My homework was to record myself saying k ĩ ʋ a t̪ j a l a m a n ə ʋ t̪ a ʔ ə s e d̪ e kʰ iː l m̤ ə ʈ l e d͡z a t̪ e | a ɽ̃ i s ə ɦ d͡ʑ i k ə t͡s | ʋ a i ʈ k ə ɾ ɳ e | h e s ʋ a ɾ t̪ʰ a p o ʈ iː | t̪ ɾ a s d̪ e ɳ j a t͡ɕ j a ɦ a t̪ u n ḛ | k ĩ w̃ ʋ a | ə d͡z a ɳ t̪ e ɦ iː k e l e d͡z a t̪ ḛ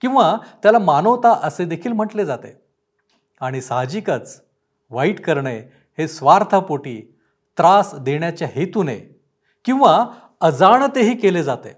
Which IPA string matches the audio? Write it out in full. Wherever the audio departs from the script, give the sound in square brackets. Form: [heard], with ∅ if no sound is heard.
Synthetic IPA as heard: k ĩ ʋ a t̪ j a l a m a n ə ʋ t̪ a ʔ ə s e d̪ e kʰ iː l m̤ ə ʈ l e d͡z a t̪ e | a ɽ̃ i s [a] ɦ d͡ʑ i k ə t͡s | ʋ a i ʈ k ə ɾ ɳ e | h e s ʋ a ɾ t̪ʰ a p o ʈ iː | t̪ ɾ a s d̪ e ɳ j a t͡ɕ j a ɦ [e] t̪ u n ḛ | k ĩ w̃ ʋ a | ə d͡z a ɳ t̪ e ɦ iː k e l e d͡z a t̪ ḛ